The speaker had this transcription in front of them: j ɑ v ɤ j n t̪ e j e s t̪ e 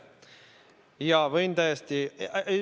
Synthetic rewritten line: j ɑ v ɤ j n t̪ æ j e s t̪ i